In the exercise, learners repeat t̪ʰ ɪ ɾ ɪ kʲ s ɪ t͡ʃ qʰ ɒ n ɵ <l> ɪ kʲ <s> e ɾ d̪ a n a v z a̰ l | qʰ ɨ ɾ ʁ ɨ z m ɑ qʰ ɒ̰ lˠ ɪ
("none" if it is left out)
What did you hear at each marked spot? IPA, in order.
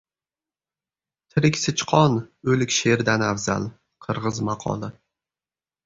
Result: l, ʃ

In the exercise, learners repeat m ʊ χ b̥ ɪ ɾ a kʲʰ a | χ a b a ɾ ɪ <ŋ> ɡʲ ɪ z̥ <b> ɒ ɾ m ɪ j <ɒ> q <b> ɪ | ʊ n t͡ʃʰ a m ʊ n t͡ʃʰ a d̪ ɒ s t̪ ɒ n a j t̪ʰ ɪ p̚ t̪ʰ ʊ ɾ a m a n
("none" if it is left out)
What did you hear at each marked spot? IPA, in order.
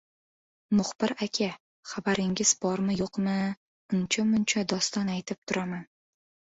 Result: ŋ, b, o, m

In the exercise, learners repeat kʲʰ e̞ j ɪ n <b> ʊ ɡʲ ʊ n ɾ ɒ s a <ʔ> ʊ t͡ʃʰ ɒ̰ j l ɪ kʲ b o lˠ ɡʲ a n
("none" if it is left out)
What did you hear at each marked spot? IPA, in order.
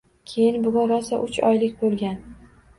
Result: b, ʔ

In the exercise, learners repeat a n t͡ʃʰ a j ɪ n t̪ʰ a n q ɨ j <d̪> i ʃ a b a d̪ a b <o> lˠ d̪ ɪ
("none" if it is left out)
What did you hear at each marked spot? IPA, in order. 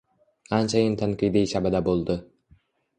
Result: d̪, o

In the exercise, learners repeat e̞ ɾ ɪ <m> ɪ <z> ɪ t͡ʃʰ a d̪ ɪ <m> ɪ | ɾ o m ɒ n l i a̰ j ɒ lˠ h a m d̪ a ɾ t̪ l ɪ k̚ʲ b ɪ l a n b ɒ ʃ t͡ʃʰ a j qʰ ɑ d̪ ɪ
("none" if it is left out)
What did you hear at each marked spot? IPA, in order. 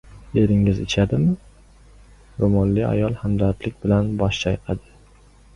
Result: ŋ, z, m

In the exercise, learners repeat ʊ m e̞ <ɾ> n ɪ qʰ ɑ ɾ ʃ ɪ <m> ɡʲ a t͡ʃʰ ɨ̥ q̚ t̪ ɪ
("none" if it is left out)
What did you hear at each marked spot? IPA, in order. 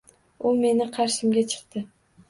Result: none, m

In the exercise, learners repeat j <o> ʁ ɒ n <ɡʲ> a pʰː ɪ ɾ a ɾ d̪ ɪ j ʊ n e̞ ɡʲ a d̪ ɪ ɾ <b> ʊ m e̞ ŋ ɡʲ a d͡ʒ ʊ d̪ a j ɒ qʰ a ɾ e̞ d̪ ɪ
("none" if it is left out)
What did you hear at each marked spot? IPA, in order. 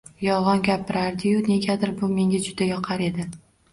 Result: ɒ, ɡʲ, b

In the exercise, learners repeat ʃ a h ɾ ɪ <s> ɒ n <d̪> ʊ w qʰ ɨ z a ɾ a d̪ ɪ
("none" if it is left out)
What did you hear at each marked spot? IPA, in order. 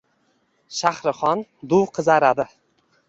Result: χ, d̪

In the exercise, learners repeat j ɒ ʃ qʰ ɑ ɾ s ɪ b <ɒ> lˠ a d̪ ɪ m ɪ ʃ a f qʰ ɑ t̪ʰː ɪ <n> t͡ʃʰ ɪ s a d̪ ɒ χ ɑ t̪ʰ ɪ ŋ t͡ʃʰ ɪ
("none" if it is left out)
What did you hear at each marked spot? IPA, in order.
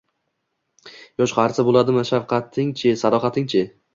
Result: o, ŋ

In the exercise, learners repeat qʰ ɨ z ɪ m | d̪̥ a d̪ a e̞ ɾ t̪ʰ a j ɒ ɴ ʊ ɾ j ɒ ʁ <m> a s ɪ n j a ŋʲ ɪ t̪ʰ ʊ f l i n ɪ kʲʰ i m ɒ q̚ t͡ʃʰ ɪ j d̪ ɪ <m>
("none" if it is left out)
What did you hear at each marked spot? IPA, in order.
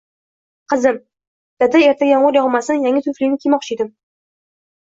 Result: m, m

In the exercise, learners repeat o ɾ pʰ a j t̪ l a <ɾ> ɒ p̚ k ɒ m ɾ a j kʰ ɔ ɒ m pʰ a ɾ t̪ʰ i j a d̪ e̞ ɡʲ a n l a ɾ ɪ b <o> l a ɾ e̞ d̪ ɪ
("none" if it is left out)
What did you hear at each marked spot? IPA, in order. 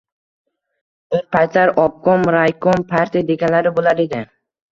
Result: ɾ, o

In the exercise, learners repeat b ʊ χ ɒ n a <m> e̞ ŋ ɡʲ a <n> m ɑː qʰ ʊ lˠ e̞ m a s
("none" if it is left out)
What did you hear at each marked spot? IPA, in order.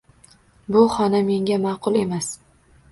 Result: m, none

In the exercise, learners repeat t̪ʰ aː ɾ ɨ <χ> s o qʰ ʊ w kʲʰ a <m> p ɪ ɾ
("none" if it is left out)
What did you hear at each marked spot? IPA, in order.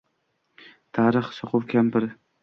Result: χ, m

